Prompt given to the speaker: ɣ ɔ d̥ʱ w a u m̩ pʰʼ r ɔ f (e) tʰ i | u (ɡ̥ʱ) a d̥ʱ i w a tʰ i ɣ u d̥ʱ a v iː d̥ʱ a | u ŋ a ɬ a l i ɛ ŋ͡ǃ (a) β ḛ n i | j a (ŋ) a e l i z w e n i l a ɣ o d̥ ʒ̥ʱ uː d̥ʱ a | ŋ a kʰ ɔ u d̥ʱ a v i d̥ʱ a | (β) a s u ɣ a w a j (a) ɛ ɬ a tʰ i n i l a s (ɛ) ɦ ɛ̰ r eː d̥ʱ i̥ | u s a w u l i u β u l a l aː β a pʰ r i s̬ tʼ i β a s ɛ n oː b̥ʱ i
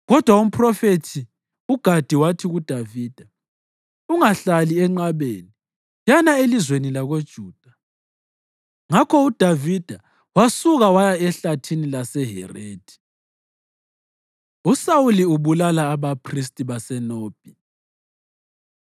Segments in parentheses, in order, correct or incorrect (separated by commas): correct, correct, correct, incorrect, incorrect, correct, correct